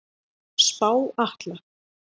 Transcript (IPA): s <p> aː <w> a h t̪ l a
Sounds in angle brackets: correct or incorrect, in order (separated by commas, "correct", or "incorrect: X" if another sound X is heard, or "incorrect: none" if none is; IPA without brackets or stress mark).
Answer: correct, correct